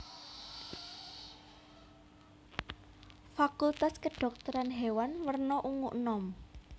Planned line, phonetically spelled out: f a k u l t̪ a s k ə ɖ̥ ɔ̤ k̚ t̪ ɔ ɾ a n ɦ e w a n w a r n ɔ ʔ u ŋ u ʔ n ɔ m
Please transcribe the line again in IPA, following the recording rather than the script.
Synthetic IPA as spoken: f a k u l t̪ a s k ə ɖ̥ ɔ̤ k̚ t̪ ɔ ɾ a n ɦ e w a n w ə r n ɔ ʔ u ŋ u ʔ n ɔ m

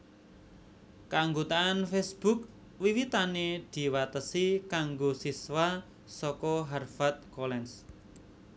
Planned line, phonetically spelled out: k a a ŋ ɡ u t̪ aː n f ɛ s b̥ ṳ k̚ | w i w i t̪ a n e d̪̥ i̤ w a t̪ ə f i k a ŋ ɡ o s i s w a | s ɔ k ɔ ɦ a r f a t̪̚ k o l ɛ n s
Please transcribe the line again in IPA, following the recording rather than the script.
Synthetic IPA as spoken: k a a ŋ ɡ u t̪ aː n f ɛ s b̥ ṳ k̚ | w i w i t̪ a n e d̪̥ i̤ w a t̪ ə s i k a ŋ ɡ o s i s w a | s ɔ k ɔ ɦ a r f a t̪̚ k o l ɛ n s

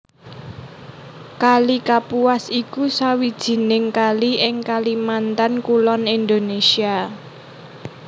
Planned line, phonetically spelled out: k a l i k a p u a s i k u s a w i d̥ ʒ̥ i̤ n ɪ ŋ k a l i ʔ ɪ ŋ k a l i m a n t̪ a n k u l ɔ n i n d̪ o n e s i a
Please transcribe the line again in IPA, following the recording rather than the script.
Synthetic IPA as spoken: k a l i k a p u a s i k u s a w i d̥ ʒ̥ i̤ n ɪ ŋ k a l i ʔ ɪ ŋ k a l i m a n t̪ a n k u l ɔ n i n d̪ o n e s i a

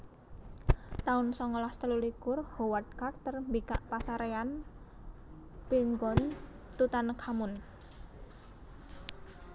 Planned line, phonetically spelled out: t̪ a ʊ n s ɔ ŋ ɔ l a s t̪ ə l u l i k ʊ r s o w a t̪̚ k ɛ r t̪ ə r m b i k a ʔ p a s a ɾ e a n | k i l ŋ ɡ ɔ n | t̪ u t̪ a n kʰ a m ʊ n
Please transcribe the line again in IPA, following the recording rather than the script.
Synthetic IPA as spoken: t̪ a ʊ n s ɔ ŋ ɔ l a s t̪ ə l u l i k ʊ r h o w a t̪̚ k a r t̪ ə r m b i k a ʔ p a s a ɾ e a n | p i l ŋ ɡ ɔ n | t̪ u t̪ a n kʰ a m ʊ n

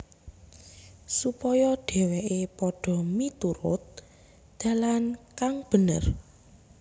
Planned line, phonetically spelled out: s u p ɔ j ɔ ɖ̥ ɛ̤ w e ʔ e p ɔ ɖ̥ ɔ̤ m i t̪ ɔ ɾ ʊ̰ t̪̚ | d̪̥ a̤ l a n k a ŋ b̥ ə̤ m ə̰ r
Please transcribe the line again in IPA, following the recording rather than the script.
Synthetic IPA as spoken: s u p ɔ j ɔ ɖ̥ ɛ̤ w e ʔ e p ɔ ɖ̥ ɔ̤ m i t̪ u ɾ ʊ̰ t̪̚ | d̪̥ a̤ l a n k a ŋ b̥ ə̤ n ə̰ r

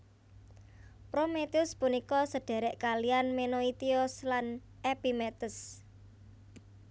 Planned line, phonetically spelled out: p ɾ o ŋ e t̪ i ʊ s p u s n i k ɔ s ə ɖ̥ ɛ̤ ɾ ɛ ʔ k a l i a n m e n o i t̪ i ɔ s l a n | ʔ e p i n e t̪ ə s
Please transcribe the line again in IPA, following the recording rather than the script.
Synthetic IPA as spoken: p ɾ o m e t̪ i ʊ s p u n i k ɔ s ə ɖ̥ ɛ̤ ɾ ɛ ʔ k a l i a n m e n o i t̪ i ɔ s l a n | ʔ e p i m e t̪ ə s

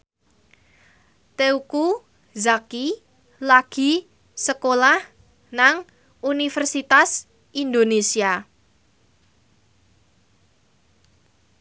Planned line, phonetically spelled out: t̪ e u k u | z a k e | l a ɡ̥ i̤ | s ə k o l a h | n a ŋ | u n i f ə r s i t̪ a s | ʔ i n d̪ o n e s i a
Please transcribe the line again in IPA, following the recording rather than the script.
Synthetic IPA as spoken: t̪ e u k u | z a k i | l a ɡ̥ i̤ | s ə k o l a h | n a ŋ | u n i f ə r s i t̪ a s | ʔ i n d̪ o n e s i a

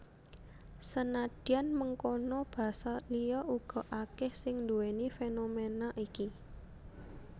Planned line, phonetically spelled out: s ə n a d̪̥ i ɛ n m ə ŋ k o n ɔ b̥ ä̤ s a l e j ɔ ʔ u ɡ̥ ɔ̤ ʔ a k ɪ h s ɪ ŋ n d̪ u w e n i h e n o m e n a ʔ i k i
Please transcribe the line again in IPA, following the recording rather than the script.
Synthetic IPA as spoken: s ə n a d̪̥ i a n m ə ŋ k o n ɔ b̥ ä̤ s a l i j ɔ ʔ u ɡ̥ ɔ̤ ʔ a k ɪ h s ɪ ŋ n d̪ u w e n i f e n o m e n a ʔ i k i

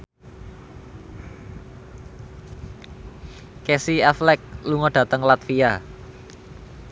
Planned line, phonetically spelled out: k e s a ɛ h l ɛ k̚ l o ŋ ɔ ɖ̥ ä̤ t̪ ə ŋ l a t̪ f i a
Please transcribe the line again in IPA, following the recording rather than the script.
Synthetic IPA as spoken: k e s i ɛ f l ɛ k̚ l u ŋ ɔ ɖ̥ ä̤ t̪ ə ŋ l a t̪ f i a

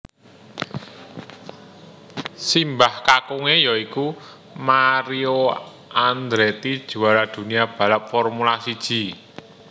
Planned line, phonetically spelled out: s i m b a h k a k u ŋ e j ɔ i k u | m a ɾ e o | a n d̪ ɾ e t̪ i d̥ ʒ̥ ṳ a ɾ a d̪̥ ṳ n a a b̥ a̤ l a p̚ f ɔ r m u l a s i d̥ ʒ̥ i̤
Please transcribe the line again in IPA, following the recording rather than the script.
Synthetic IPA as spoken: s i m b a h k a k u ŋ e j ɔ i k u | m a ɾ i o | a n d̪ ɾ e t̪ i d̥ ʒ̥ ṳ a ɾ a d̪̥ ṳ n i a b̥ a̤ l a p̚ f ɔ r m u l a s i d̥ ʒ̥ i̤

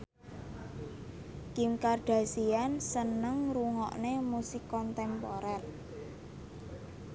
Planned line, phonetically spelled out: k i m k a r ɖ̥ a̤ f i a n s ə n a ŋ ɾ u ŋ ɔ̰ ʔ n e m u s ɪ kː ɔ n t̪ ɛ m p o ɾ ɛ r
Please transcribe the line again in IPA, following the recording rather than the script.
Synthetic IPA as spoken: k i m k a r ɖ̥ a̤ s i a n s ə n ə ŋ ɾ u ŋ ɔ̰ ʔ n e m u s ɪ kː ɔ n t̪ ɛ m p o ɾ ɛ r

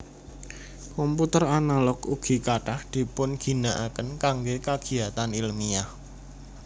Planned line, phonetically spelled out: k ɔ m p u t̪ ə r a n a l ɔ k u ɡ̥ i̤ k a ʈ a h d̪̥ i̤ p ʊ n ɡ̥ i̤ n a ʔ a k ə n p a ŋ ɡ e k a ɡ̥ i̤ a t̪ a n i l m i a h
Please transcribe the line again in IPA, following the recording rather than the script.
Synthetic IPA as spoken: k ɔ m p u t̪ ə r a n a l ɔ k u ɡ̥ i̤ k a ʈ a h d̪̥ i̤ p ʊ n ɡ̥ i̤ n a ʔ a k ə n k a ŋ ɡ e k a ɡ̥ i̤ a t̪ a n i l m i a h

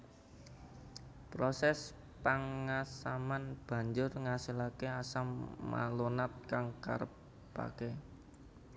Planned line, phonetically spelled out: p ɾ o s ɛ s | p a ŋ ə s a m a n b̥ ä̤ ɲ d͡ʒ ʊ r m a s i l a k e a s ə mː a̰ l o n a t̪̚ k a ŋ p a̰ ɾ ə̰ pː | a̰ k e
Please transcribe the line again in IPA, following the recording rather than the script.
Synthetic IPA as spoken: p ɾ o s ɛ s | p a ŋ a s a m a n b̥ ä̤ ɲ d͡ʒ ʊ r ŋ a s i l a k e a s a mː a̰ l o n a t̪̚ k a ŋ k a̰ ɾ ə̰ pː | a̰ k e

